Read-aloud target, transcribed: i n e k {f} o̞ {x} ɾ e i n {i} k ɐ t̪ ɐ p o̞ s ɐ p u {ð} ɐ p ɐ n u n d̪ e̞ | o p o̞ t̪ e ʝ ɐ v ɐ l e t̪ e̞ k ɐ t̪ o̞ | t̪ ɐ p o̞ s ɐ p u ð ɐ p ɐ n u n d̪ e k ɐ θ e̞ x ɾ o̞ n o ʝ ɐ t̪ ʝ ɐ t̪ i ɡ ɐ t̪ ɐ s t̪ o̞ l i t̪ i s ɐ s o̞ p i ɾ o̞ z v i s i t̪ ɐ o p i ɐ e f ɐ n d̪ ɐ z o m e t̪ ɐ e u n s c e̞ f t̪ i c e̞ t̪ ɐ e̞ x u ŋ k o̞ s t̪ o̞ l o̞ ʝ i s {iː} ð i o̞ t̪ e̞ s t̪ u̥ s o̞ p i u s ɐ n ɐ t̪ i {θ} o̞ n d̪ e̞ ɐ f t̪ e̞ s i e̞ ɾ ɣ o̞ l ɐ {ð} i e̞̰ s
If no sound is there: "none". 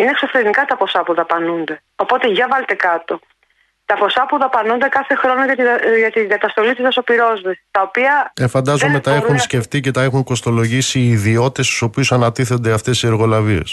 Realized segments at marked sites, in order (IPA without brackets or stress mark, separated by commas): s, f, i, ð, iː, θ, v